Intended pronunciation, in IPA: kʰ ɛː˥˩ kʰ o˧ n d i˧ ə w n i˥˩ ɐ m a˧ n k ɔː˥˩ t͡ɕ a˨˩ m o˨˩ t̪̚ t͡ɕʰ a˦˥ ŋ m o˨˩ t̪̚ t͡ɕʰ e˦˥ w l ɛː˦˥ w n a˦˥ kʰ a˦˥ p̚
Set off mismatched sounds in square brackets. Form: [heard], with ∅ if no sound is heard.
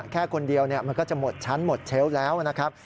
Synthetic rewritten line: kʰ ɛː˥˩ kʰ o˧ n d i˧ ə w n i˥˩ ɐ m a˧ n k ɔː˥˩ t͡ɕ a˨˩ m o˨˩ t̪̚ t͡ɕʰ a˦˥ [n] m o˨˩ t̪̚ t͡ɕʰ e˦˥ w l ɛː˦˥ w n a˦˥ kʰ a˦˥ p̚